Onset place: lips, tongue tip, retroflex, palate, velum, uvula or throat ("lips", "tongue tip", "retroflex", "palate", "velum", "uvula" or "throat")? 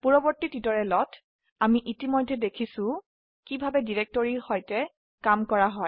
lips